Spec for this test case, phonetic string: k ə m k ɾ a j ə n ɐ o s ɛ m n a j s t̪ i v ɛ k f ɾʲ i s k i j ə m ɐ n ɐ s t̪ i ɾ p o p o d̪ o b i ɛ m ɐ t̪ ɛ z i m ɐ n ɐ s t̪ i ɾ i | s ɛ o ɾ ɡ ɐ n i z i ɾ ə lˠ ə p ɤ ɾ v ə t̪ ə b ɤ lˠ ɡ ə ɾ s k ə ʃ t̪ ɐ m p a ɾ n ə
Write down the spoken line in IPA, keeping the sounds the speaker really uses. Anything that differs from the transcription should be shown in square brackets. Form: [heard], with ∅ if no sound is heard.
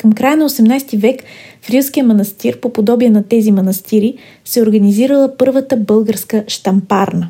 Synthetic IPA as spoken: k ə m k ɾ a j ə n ɐ o s ɛ m n a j s t̪ i v ɛ k f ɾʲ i s k i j ə m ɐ n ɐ s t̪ i ɾ p o p o d̪ [ɔ] b i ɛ [n] ɐ t̪ ɛ z i m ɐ n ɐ s t̪ i ɾ i | s ɛ o ɾ ɡ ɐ n i z i ɾ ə lˠ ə p ɤ ɾ v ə t̪ ə b ɤ lˠ ɡ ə ɾ s k ə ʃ t̪ ɐ m p a ɾ n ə